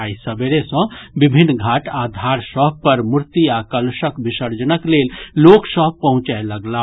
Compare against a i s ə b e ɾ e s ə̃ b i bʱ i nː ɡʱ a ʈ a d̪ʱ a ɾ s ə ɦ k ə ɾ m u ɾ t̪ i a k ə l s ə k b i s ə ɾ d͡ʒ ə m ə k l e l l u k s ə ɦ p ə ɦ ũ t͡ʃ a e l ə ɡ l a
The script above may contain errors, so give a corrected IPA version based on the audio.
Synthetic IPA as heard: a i s ə b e ɾ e s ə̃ b i bʱ i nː ɡʱ a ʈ a d̪ʱ a ɾ s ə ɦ p ə ɾ m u ɾ t̪ i a k ə l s ə k b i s ə ɾ d͡ʒ ə n ə k l e l l o k s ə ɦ p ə ɦ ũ t͡ʃ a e l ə ɡ l a